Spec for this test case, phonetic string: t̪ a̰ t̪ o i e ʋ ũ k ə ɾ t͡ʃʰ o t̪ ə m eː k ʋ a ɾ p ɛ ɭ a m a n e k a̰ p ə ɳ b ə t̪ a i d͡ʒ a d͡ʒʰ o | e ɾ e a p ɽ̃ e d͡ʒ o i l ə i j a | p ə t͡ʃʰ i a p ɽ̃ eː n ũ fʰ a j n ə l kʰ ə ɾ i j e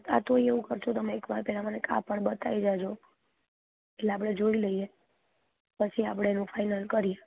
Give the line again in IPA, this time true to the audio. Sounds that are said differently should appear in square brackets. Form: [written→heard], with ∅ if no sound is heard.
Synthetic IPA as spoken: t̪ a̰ t̪ o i e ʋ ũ k ə ɾ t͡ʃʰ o t̪ ə m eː k ʋ a ɾ p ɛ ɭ a m a n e k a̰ p ə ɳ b ə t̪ a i d͡ʒ a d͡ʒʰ o | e [ɾ→l] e a p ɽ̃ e d͡ʒ o i l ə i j [a→e] | p ə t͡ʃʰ i a p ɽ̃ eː n ũ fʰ a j n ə l [kʰ→k] ə ɾ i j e